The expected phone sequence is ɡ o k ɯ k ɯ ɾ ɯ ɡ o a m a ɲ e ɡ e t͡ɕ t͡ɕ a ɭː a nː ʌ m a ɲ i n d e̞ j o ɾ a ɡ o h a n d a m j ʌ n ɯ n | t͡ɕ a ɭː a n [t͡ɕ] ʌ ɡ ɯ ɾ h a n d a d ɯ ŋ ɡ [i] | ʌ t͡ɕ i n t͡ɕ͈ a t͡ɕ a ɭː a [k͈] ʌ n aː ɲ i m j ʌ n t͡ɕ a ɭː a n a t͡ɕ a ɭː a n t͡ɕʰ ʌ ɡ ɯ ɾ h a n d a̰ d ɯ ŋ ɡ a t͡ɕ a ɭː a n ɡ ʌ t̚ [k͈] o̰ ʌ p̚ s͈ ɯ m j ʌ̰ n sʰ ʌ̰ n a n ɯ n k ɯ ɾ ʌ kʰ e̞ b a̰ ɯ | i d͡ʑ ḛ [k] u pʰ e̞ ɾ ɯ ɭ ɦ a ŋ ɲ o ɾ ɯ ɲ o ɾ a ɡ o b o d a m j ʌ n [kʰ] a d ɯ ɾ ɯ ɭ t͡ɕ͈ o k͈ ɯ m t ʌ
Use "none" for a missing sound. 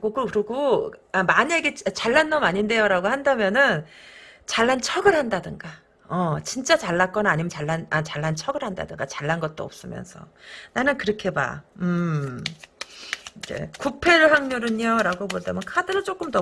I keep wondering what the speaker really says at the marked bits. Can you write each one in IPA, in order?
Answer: t͡ɕʰ, a, k͈, t͈, k, kʰ

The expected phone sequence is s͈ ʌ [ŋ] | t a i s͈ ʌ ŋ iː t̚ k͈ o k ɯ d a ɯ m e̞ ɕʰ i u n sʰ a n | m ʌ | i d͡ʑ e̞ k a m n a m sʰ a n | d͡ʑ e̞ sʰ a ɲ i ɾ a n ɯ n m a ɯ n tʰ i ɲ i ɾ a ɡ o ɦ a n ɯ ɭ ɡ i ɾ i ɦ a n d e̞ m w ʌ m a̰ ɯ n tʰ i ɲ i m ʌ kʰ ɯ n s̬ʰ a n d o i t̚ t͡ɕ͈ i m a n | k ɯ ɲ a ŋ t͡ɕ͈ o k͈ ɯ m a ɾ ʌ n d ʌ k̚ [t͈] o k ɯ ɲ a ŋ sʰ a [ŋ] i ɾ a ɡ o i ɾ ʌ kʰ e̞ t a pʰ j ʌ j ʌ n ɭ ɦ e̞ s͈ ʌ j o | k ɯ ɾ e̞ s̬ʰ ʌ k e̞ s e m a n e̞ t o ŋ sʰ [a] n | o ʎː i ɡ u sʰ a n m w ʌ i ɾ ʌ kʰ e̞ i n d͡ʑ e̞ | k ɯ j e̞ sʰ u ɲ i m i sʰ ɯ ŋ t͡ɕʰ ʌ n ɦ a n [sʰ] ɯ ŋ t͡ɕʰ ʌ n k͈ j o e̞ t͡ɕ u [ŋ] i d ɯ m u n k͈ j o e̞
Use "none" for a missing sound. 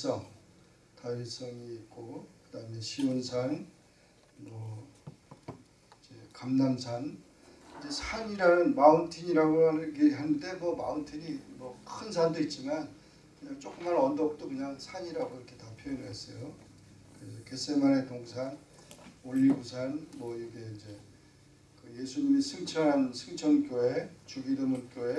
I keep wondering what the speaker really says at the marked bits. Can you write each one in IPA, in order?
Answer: ŋ, t͈, ɲ, a, sʰ, ɡ

